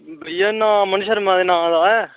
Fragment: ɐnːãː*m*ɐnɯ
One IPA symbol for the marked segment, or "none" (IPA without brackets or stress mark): m